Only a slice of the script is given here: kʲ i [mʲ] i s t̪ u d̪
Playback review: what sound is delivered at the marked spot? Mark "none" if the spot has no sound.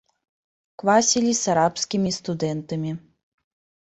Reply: mʲ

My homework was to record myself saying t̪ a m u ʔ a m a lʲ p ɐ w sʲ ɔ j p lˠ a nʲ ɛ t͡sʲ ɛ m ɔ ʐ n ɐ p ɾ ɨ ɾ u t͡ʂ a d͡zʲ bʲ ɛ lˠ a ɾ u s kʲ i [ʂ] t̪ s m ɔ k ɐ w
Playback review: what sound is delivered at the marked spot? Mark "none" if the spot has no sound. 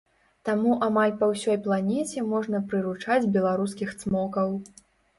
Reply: x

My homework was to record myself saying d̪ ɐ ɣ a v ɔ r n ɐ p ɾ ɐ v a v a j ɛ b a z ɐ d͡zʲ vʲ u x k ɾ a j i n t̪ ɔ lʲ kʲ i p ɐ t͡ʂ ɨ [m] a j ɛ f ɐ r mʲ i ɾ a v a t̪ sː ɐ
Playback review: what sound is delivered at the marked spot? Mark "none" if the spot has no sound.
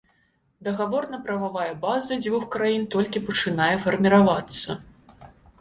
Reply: n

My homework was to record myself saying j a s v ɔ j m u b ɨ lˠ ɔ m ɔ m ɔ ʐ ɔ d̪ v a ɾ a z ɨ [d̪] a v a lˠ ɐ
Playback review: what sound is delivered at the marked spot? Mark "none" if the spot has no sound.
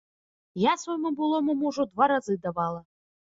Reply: d̪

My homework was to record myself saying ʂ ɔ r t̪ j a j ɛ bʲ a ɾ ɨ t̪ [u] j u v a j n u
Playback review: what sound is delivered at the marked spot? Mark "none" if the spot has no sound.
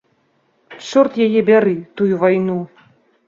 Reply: u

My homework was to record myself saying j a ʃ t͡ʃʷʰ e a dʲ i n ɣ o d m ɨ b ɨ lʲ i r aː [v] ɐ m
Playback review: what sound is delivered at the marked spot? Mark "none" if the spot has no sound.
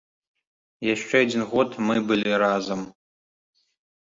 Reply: z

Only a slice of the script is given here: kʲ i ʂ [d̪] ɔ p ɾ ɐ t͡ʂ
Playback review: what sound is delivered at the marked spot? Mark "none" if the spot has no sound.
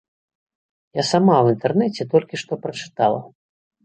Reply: t̪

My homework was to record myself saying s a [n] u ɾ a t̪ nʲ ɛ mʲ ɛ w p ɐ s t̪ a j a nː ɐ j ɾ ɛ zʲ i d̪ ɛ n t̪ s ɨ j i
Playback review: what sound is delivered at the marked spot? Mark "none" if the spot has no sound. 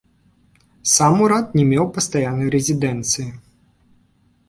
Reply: m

